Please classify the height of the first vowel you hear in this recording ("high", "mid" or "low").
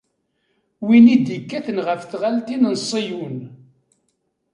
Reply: high